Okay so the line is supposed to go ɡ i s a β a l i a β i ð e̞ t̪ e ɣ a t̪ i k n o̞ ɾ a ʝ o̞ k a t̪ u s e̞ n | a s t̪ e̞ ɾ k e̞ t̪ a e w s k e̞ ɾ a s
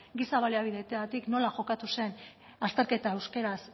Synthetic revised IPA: ɡ i s a β a l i a β i ð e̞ t̪ e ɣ a t̪ i k n o̞ l a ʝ o̞ k a t̪ u s e̞ n | a s t̪ e̞ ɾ k e̞ t̪ a e w s k e̞ ɾ a s